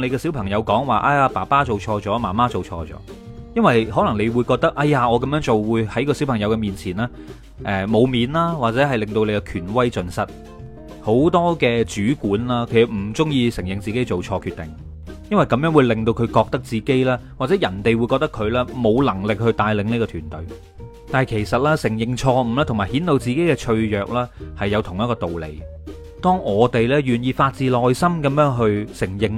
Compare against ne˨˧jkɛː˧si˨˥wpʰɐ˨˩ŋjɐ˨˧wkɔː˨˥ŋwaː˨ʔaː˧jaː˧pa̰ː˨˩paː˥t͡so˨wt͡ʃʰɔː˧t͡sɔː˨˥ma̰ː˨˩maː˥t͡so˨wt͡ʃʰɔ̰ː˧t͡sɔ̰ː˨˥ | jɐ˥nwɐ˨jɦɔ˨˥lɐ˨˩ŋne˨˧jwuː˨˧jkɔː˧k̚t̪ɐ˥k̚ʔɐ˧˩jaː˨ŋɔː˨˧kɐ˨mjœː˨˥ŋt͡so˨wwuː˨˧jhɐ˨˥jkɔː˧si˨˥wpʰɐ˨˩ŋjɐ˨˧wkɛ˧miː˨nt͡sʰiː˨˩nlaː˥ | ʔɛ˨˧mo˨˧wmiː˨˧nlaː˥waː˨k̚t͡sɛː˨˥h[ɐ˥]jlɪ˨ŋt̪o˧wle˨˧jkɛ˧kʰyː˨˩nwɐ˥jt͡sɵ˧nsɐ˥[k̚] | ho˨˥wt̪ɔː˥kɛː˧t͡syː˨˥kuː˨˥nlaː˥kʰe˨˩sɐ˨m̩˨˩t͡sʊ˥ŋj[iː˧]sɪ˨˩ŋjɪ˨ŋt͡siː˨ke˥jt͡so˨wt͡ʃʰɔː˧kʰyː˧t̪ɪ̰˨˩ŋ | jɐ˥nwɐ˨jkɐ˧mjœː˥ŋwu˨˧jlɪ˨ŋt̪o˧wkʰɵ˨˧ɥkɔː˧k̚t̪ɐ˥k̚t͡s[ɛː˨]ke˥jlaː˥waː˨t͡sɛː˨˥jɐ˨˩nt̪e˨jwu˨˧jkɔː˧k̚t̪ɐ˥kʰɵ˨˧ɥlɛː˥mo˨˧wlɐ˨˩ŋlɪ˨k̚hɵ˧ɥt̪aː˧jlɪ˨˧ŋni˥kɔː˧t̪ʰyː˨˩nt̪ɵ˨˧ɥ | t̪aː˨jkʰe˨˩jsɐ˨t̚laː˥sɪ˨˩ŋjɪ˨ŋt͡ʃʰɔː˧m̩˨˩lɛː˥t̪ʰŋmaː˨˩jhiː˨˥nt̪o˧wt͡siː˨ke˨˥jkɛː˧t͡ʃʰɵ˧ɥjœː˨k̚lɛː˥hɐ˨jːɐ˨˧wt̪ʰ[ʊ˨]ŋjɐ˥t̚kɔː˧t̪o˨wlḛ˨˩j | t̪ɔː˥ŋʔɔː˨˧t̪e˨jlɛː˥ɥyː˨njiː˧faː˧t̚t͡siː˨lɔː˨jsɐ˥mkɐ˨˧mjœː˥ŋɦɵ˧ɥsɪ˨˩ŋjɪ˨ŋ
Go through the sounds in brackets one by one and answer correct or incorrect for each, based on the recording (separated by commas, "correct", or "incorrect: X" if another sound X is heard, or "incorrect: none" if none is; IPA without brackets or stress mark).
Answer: incorrect: ɐ˨, incorrect: t̚, correct, incorrect: iː˨, correct